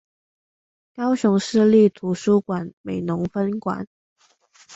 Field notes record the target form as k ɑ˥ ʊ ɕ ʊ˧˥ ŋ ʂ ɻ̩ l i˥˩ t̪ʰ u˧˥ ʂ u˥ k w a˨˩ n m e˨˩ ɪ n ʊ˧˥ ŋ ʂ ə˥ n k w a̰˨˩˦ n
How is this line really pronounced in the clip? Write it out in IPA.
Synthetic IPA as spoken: k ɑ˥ ʊ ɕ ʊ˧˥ ŋ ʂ ɻ̩ l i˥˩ t̪ʰ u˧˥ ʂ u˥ k w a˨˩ n m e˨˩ ɪ n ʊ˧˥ ŋ f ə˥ n k w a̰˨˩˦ n

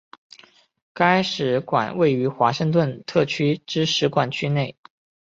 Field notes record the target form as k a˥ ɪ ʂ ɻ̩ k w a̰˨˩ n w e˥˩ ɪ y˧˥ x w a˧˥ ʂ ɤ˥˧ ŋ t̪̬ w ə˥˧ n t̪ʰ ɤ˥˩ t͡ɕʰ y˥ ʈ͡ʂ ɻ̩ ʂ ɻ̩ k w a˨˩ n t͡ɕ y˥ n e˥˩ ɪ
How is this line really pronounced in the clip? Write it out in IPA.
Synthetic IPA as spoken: k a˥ ɪ ʂ ɻ̩ k w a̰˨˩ n w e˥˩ ɪ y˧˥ x w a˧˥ ʂ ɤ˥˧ ŋ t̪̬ w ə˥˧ n t̪ʰ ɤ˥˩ t͡ɕʰ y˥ ʈ͡ʂ ɻ̩ ʂ ɻ̩ k w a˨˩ n t͡ɕʰ y˥ n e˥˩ ɪ

